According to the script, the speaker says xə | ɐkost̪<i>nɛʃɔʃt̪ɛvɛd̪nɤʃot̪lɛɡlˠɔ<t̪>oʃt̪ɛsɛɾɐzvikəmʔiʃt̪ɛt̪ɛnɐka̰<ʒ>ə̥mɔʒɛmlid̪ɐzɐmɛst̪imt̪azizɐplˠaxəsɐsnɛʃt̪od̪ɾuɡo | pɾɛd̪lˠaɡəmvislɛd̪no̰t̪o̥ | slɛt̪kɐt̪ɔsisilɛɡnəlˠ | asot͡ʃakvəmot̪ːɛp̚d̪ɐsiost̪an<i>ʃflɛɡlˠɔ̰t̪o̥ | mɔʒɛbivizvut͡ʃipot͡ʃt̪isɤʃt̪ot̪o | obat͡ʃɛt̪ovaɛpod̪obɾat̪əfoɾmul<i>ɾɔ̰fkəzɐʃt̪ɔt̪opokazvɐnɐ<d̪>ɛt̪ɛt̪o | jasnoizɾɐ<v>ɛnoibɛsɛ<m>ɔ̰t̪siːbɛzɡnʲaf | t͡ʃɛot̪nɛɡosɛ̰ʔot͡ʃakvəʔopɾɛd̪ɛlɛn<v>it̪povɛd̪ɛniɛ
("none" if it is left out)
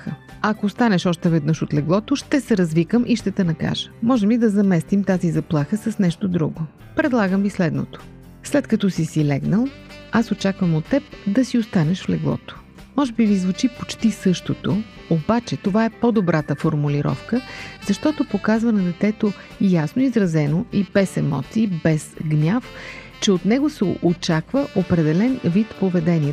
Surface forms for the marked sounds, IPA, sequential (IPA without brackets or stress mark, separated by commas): a, t̪, ʒ, ɛ, i, d̪, z, m, v